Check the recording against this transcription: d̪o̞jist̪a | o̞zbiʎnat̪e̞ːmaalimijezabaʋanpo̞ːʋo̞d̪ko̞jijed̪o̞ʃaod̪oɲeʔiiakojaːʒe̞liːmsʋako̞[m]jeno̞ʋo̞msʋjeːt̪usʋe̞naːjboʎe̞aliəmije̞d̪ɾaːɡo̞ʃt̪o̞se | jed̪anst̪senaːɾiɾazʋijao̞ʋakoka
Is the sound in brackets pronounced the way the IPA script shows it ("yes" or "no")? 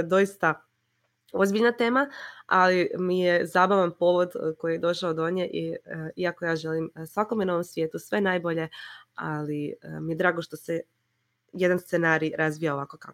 yes